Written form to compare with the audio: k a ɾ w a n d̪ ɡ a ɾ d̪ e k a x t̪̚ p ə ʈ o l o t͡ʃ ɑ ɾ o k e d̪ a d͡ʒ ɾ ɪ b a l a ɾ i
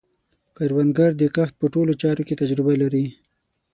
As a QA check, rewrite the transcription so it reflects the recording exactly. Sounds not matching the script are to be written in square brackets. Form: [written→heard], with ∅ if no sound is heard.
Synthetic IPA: k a ɾ w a n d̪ ɡ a ɾ d̪ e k a x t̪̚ p ə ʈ o l o t͡ʃ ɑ ɾ o k e [d̪→t̪] a d͡ʒ ɾ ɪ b a l a ɾ i